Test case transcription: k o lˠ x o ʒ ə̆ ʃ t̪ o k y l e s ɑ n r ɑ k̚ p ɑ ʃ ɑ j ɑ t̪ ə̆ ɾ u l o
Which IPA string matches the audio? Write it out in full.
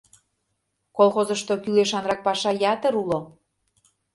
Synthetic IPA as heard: k o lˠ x o z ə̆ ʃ t̪ o k y l e ʃ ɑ n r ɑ k̚ p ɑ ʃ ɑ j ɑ t̪ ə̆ ɾ u l o

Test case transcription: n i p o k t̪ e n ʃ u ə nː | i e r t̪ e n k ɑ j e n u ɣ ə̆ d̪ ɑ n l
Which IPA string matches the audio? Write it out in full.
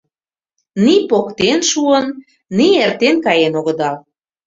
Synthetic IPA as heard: n i p o k t̪ e n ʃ u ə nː | i e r t̪ e n k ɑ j e n o ɣ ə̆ d̪ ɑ l

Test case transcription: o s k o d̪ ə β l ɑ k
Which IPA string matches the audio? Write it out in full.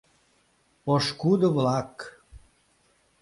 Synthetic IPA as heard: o ʃ k u d̪ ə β l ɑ k

